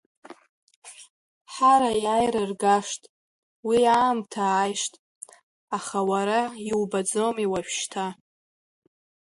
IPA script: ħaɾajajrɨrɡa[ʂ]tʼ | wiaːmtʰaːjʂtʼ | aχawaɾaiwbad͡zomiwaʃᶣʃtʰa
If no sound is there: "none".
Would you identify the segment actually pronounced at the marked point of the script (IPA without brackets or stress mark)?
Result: ʂ